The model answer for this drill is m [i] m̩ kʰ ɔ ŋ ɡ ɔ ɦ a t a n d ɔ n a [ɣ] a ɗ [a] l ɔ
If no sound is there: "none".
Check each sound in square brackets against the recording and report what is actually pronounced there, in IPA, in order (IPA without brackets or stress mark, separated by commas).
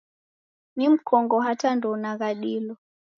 i, ɣ, i